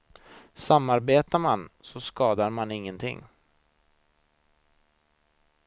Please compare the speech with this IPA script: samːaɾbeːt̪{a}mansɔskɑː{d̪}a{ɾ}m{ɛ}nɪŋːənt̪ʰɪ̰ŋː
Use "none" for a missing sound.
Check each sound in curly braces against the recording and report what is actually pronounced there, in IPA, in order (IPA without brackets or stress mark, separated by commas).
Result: a, d̪, ɾ, a